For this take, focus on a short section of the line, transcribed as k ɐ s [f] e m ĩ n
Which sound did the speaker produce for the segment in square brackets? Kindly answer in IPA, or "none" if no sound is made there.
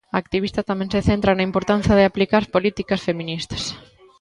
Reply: f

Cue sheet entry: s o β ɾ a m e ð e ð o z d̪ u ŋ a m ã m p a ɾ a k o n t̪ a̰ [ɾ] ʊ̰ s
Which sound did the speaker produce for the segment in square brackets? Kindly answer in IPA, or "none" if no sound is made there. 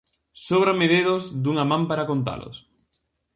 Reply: l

